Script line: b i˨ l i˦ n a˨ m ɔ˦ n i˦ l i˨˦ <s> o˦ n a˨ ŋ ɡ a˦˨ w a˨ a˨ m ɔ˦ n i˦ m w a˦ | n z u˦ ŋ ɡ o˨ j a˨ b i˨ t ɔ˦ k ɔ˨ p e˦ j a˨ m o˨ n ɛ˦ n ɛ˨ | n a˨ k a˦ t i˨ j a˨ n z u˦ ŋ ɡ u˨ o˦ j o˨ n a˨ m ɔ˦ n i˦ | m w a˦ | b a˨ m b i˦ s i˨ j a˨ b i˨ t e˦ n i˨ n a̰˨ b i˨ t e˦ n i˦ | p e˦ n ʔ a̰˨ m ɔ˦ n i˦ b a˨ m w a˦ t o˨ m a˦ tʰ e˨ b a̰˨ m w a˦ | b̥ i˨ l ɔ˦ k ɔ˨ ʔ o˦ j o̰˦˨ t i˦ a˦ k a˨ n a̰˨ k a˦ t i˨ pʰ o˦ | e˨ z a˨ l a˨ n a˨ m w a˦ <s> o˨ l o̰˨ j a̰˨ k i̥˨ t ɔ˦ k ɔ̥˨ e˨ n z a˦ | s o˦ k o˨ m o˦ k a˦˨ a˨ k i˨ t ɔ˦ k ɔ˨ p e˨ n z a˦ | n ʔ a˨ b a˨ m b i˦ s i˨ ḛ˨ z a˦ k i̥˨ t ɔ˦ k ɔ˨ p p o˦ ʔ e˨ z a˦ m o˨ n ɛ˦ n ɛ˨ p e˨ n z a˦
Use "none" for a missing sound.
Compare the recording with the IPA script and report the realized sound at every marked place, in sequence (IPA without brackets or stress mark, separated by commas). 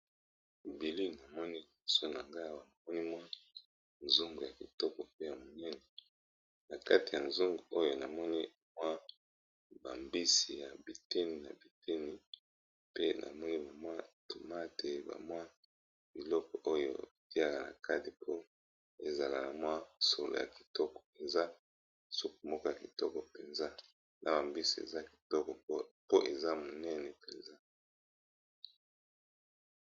s, s